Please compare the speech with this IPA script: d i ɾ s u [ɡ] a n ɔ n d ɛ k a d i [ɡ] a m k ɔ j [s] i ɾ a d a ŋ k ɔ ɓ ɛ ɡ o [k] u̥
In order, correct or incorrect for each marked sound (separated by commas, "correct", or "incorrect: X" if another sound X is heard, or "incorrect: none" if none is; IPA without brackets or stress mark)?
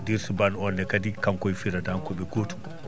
incorrect: b, incorrect: k, incorrect: f, incorrect: t